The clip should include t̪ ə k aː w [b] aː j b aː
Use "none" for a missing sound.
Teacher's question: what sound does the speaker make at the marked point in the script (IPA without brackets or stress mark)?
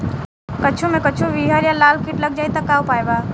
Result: p